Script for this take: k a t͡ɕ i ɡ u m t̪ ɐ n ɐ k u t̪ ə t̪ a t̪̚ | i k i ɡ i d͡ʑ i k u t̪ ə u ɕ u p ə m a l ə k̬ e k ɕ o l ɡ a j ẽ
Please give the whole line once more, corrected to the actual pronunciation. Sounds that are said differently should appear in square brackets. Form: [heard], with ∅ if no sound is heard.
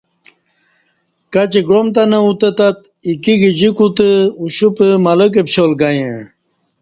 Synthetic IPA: k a t͡ɕ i ɡ [o] m t̪ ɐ n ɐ [∅] u t̪ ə t̪ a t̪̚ | i k i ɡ i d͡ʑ i k u t̪ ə u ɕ u p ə m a l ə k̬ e [p] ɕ o l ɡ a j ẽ

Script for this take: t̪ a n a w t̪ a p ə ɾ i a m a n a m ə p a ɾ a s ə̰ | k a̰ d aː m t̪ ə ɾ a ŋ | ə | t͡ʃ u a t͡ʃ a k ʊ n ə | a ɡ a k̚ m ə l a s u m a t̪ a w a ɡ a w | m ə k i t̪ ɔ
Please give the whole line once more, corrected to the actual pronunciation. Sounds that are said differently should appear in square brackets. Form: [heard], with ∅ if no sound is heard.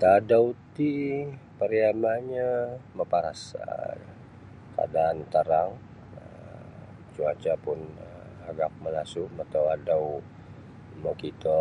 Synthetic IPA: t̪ a [d] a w t̪ [i] p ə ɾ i a m a [ɲ] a m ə p a ɾ a s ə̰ | k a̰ d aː [n] t̪ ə ɾ a ŋ | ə | t͡ʃ u a t͡ʃ a [p] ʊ n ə | a ɡ a k̚ m ə l a s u m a t̪ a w a [d] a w | m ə k i t̪ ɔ

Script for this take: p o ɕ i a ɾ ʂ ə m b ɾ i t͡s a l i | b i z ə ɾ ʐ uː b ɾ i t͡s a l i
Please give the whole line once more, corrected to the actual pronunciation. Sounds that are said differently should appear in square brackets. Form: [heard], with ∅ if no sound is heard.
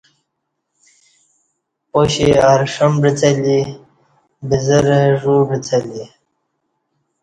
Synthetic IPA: p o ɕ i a ɾ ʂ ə m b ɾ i t͡s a l i | b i z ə ɾ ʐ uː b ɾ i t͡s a l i

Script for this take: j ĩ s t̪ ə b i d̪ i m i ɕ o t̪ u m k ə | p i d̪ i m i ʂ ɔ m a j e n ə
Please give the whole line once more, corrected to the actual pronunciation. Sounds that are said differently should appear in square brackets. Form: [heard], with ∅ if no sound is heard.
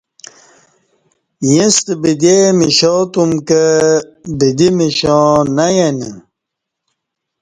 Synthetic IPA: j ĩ s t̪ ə b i d̪ [e] m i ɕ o t̪ u m k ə | [b] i d̪ i m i [ɕ] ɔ [n] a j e n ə

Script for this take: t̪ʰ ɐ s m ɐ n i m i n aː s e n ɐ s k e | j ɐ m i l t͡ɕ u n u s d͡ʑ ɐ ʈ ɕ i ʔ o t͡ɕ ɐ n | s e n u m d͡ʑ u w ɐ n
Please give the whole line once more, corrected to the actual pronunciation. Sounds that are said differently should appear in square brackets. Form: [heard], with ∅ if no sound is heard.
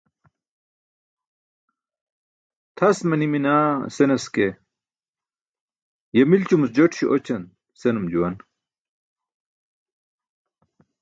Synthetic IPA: t̪ʰ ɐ s m ɐ n i m i n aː s e n ɐ s k e | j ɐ m i l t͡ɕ u [m] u s d͡ʑ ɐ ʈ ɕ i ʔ o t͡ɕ ɐ n | s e n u m d͡ʑ u w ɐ n

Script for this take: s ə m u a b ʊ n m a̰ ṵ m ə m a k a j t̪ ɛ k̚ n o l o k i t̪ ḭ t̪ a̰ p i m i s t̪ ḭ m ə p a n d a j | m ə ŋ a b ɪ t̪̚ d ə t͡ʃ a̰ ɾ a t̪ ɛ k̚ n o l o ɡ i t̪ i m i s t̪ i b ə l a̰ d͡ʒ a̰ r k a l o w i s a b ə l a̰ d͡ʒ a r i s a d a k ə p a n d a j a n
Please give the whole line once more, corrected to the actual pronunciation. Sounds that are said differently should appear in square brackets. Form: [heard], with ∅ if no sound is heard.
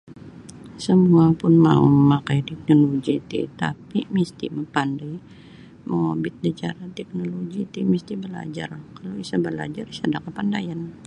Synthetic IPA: s ə m u a [p] ʊ n m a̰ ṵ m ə m a k a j t̪ ɛ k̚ n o l o [ɡ] i t̪ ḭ t̪ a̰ p i m i s t̪ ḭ m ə p a n d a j | m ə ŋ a b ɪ t̪̚ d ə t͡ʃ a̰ ɾ a t̪ ɛ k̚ n o l o ɡ i t̪ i m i s t̪ i b ə l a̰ d͡ʒ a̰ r k a l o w i s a b ə l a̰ d͡ʒ a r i s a d a k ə p a n d a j a n

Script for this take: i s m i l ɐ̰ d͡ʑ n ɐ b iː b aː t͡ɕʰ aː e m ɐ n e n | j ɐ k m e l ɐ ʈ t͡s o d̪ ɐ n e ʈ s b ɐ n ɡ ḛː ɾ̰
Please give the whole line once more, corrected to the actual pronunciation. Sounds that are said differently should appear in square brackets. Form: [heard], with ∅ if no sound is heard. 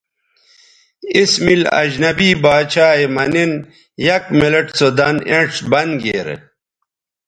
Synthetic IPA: i s m i l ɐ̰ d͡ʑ n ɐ b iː b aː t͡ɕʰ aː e m ɐ n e n | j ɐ k m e l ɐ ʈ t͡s o d̪ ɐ n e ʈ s b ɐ n ɡ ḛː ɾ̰

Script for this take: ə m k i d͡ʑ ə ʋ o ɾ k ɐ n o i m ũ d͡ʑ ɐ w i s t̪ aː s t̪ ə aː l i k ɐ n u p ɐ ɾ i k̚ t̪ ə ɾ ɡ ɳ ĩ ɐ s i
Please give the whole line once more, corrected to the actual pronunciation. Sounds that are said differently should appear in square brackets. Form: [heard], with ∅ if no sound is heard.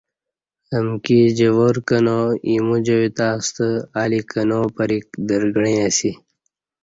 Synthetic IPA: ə m k i d͡ʑ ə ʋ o ɾ k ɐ n o i m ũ d͡ʑ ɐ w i [∅] t̪ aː s t̪ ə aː l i k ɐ n [o] p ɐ ɾ i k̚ [d̪] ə ɾ ɡ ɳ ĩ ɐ s i

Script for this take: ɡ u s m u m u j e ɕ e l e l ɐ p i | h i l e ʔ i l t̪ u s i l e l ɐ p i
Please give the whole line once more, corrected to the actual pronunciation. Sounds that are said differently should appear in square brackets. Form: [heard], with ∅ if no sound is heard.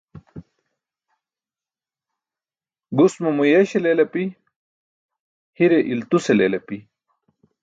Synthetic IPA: ɡ u s m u m u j e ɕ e l e l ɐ p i | h i [ɾ] e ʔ i l t̪ u s [e] l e l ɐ p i

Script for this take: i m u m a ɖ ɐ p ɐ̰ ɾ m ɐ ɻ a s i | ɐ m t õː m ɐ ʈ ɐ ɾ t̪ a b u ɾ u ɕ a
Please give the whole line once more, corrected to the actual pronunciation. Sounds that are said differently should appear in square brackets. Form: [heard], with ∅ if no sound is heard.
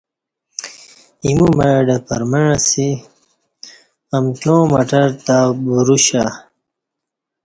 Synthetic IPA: i m u m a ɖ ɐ p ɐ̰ ɾ m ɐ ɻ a s i | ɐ m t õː m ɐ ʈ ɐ ɾ t̪ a b u ɾ u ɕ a

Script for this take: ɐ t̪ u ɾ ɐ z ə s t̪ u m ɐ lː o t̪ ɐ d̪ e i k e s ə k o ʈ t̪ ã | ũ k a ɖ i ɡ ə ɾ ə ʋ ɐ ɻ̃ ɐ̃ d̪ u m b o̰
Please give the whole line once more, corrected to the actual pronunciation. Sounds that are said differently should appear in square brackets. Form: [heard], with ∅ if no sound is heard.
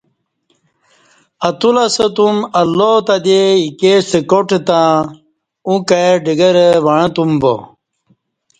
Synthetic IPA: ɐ t̪ u [l] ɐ [s] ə [∅] t̪ u m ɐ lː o t̪ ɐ d̪ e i k e s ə k o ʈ t̪ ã | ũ k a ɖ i ɡ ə ɾ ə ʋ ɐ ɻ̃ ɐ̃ [t̪] u m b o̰

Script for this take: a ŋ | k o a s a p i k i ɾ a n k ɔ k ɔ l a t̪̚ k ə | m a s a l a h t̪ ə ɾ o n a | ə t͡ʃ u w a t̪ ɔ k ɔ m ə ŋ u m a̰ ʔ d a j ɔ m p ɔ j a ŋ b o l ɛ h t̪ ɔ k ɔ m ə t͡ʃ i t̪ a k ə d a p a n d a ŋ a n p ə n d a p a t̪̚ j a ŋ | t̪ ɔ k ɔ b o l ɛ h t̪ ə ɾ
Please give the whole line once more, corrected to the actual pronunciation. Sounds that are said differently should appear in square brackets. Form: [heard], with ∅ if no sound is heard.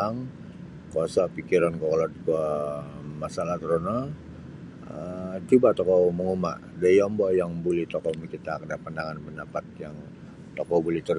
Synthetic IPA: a ŋ | k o a s a p i k i ɾ a n k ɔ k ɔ l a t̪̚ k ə | m a s a l a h t̪ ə ɾ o n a | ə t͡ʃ u [b] a t̪ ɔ k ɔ m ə ŋ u m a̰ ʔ d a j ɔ m [b] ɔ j a ŋ b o l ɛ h t̪ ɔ k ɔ m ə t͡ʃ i t̪ a k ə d a p a n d a ŋ a n p ə n d a p a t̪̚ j a ŋ | t̪ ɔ k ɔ b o l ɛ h t̪ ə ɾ

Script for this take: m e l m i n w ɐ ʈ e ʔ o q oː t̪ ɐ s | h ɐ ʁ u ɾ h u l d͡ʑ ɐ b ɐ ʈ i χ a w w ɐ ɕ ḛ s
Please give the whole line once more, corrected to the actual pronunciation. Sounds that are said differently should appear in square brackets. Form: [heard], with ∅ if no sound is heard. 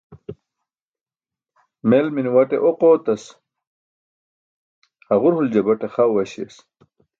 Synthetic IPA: m e l m i n w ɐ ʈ e ʔ o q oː t̪ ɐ s | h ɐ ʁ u ɾ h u l d͡ʑ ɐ b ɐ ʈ [e] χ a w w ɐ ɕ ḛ s

